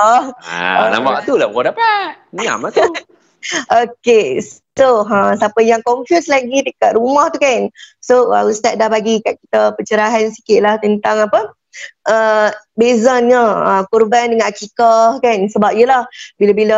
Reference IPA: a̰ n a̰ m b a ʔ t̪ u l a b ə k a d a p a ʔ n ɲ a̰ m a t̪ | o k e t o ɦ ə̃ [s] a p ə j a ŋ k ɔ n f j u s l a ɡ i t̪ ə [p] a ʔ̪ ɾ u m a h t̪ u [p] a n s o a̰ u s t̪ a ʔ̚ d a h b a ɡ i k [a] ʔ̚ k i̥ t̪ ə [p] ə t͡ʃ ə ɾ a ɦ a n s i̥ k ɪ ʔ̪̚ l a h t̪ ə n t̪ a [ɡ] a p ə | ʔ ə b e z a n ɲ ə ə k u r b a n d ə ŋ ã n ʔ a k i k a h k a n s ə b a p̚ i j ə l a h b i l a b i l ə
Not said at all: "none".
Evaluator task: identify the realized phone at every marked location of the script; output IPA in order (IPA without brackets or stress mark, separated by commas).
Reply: s, k, k, a, p, ŋ